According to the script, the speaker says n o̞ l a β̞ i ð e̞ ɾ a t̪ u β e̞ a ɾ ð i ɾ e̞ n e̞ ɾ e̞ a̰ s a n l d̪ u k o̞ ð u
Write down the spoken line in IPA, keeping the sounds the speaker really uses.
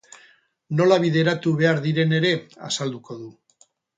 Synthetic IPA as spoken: n o̞ l a β̞ i ð e̞ ɾ a t̪ u β e̞ a ɾ ð i ɾ e̞ n e̞ ɾ e̞ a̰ s a l d̪ u k o̞ ð u